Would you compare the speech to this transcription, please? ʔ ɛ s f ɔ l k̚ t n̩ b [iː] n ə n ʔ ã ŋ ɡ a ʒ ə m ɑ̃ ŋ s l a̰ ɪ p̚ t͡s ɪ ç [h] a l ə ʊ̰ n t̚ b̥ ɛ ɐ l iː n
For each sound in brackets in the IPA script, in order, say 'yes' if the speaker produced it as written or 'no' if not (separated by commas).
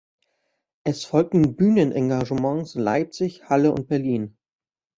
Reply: no, yes